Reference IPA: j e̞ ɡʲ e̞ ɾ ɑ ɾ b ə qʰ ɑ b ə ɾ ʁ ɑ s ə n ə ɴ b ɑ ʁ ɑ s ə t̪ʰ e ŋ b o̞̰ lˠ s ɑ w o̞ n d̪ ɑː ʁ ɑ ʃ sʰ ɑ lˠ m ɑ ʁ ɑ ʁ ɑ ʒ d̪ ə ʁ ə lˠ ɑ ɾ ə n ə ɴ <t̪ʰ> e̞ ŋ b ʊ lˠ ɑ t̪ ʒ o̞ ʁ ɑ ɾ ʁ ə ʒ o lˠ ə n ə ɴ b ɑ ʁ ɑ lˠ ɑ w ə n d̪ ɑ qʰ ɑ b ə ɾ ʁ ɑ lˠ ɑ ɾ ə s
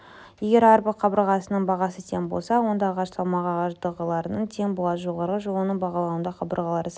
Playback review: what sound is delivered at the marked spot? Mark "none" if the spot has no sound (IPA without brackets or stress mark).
t̪ʰ